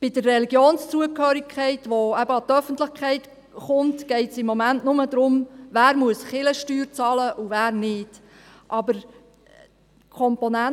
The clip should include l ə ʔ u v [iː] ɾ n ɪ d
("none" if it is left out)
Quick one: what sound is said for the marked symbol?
æː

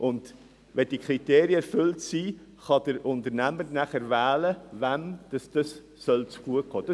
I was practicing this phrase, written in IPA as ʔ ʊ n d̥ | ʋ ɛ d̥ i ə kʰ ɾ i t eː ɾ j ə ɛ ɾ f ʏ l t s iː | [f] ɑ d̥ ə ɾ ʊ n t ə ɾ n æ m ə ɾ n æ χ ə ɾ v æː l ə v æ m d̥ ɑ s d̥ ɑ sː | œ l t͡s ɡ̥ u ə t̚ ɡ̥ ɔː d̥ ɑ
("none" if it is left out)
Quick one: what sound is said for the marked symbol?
χ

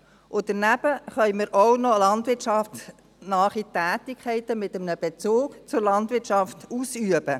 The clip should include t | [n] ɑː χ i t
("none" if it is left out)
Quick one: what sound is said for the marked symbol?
n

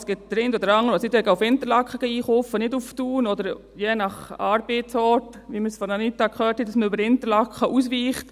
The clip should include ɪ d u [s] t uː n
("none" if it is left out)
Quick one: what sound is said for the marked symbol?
f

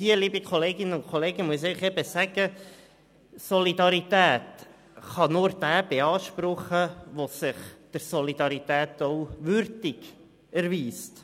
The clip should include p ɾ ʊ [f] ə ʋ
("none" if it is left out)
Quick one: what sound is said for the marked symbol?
χ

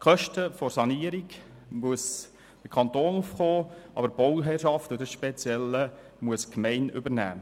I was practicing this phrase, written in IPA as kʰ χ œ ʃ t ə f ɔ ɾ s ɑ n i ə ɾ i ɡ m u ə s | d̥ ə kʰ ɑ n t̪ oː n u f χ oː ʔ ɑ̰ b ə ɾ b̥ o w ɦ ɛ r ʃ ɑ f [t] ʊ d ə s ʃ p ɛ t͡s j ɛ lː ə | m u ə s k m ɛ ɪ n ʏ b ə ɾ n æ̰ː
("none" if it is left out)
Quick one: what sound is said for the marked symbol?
t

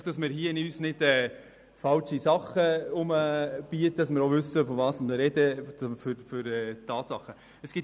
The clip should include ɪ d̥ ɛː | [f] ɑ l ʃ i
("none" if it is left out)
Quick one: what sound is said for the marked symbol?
f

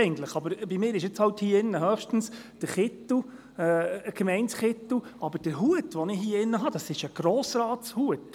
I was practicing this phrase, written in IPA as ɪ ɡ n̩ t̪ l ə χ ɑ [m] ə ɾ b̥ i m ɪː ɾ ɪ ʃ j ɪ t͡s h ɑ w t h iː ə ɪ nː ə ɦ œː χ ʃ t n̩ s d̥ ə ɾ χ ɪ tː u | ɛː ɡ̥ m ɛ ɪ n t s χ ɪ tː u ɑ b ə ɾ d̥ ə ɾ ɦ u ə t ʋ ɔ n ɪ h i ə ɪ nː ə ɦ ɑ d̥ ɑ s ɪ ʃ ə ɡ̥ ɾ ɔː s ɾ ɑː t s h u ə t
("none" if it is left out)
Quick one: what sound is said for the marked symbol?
b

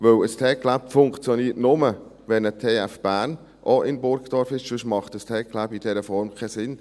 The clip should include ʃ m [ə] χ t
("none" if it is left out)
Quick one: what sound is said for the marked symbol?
ɑ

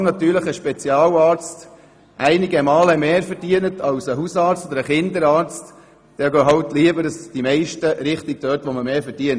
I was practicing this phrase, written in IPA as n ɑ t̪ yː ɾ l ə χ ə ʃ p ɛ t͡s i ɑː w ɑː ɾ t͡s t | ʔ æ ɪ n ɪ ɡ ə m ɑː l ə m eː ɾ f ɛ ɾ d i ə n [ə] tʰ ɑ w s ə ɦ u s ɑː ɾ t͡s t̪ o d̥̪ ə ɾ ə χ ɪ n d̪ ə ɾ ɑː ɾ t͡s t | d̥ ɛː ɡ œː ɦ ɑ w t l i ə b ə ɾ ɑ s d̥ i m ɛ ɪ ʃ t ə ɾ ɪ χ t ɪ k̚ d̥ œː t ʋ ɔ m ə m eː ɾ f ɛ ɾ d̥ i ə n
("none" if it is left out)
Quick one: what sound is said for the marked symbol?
ə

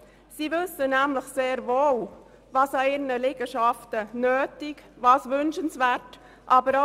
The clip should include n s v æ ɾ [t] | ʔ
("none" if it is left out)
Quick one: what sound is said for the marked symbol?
t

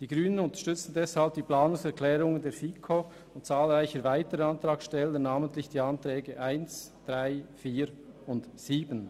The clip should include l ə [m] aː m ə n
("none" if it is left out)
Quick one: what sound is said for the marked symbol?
n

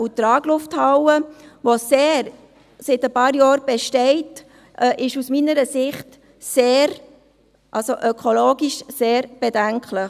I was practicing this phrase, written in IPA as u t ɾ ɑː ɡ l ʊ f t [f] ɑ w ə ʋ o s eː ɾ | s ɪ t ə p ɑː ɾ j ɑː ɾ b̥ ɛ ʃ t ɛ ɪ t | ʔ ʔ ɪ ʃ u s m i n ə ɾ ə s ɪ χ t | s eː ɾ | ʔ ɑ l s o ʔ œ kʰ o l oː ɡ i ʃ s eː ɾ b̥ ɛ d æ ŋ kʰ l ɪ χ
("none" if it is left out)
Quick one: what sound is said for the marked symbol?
h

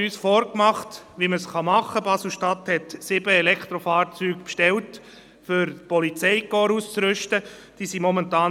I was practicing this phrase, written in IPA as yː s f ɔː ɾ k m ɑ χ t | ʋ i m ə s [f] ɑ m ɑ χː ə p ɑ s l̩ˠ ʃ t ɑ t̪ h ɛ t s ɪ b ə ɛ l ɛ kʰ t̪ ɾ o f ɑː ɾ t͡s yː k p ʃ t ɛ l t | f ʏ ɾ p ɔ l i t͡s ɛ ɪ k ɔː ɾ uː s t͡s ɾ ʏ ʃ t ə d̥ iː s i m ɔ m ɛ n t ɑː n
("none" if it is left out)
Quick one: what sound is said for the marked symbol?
χ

